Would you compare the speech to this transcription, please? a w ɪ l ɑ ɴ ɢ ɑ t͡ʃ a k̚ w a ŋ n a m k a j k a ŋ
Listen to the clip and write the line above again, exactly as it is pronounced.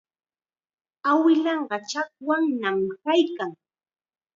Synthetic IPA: a w ɪ l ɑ ɴ ɢ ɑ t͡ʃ a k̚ w a ŋ n a m k a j k a ŋ